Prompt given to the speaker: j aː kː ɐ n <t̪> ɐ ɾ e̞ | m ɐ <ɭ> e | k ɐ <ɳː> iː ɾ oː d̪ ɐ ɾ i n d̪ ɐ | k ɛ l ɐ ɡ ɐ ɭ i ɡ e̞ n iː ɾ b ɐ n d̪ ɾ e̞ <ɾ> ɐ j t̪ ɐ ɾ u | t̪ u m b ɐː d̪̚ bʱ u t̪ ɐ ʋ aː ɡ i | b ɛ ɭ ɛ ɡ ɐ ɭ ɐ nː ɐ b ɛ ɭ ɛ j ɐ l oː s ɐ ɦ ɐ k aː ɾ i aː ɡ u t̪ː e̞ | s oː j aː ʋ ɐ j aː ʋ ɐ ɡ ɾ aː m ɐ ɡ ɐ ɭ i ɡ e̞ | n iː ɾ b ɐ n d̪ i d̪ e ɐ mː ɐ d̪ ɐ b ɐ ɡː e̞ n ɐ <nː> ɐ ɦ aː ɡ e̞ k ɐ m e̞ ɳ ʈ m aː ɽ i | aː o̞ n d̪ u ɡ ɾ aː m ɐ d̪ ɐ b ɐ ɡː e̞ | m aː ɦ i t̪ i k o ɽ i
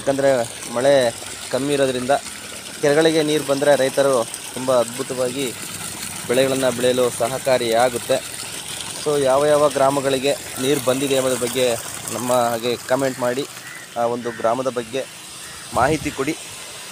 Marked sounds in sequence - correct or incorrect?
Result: incorrect: d̪, correct, incorrect: mː, correct, incorrect: mː

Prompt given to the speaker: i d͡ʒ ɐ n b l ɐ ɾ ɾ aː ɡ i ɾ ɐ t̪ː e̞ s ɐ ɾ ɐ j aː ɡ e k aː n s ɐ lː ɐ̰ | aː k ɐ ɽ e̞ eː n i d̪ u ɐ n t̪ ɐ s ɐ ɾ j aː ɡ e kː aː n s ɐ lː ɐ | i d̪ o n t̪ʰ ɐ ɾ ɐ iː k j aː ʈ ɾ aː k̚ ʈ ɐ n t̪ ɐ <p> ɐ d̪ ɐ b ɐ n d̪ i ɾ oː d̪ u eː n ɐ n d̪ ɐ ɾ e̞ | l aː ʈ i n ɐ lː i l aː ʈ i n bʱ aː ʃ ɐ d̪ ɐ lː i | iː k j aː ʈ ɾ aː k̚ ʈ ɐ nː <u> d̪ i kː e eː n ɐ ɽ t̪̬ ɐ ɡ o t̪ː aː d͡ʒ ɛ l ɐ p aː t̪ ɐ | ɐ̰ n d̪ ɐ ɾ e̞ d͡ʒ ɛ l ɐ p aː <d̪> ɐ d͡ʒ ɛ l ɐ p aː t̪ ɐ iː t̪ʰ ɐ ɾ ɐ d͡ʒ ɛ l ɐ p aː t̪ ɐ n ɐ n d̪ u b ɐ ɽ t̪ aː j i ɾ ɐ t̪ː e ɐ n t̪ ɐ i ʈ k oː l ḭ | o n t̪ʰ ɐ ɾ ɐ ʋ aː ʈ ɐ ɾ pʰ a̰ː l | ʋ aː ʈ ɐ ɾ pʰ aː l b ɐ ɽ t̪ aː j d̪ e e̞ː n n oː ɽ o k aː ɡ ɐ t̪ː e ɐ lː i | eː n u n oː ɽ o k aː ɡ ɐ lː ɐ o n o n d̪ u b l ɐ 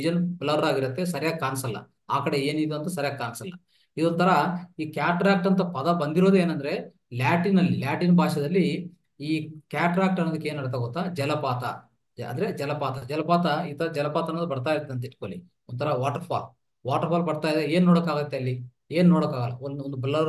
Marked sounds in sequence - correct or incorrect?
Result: correct, incorrect: o, incorrect: t̪

